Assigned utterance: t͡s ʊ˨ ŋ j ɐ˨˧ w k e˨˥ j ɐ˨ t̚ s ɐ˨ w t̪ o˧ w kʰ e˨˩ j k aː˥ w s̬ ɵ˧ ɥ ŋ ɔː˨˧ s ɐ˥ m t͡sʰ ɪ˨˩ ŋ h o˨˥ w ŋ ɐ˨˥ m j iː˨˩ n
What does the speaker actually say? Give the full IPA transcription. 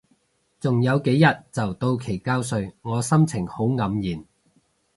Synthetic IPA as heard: t͡s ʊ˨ ŋ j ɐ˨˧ w k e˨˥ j ɐ˨ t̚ t͡s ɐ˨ w t̪ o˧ w kʰ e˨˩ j k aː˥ w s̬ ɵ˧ ɥ ŋ ɔː˨˧ s ɐ˥ m t͡sʰ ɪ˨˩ ŋ h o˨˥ w ŋ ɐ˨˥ m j iː˨˩ n

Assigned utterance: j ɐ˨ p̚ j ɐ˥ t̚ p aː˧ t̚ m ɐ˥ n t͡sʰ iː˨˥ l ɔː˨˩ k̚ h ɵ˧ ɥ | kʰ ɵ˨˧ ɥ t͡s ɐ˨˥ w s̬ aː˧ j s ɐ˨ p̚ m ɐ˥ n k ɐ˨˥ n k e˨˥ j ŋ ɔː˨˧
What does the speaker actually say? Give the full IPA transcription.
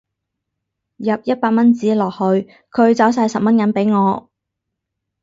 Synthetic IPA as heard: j ɐ˨ p̚ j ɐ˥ t̚ p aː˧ t̚ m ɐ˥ n t͡s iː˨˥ l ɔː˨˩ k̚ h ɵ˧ ɥ | kʰ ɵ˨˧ ɥ t͡s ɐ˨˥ w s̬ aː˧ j s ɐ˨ p̚ m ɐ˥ n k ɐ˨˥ n p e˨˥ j ŋ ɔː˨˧

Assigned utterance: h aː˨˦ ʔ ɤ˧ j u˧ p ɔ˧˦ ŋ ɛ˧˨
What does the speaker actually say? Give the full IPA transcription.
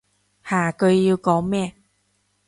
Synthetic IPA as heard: h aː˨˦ k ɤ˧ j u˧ k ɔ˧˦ m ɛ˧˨

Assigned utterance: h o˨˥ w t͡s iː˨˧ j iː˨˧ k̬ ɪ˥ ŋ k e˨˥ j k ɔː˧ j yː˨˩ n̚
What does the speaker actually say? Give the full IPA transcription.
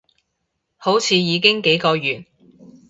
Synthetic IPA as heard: h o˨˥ w t͡sʰ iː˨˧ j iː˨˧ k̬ ɪ˥ ŋ k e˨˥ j k ɔː˧ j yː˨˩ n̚

